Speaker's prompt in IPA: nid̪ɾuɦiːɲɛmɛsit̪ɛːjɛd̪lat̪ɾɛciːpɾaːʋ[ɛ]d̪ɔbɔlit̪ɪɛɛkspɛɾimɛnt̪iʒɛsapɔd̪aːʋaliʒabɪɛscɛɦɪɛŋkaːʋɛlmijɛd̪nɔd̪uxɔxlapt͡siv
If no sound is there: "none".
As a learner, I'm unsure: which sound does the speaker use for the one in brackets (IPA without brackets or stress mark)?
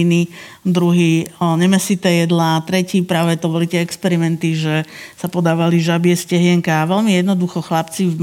ɛ